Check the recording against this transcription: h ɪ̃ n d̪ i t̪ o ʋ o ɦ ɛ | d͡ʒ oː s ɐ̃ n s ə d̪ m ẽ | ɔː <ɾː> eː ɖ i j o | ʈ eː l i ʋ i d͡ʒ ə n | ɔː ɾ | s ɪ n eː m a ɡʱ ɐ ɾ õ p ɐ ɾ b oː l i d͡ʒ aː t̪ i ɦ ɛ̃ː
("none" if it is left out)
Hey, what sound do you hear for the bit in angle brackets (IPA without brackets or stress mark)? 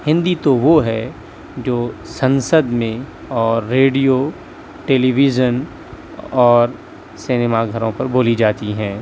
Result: ɾː